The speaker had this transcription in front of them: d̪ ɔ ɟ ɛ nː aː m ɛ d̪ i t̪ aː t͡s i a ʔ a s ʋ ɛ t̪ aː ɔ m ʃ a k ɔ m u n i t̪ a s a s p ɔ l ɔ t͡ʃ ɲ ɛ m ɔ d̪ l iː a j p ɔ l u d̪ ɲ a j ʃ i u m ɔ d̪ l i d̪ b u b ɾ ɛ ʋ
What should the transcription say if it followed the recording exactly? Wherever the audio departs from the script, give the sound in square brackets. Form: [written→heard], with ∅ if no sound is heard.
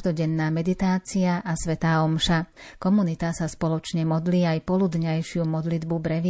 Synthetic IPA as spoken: d̪ ɔ ɟ ɛ nː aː m ɛ d̪ i t̪ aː t͡s i a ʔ a s ʋ ɛ t̪ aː ɔ m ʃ a k ɔ m u n i t̪ a s a s p ɔ l ɔ t͡ʃ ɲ ɛ m ɔ d̪ l iː a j p ɔ l u d̪ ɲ a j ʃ [i→ɪ] u m ɔ d̪ l i d̪ b u b ɾ ɛ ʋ